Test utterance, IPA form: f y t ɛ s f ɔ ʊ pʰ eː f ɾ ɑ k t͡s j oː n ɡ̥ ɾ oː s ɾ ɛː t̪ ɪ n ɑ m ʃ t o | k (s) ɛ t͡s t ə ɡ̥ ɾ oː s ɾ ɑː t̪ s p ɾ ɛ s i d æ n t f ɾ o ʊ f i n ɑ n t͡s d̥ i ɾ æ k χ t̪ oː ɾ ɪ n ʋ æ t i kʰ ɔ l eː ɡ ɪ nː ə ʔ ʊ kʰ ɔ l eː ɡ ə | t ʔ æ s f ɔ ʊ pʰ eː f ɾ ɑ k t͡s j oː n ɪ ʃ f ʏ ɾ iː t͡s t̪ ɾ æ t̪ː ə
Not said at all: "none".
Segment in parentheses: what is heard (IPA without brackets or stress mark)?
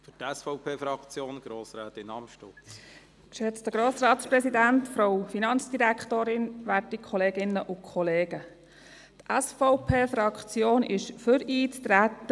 ʃ